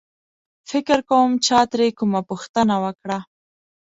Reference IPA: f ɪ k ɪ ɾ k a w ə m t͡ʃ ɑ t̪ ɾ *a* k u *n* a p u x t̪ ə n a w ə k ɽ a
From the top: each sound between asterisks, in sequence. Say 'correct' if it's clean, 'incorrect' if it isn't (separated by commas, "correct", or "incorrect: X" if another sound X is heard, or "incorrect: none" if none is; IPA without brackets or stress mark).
incorrect: e, incorrect: m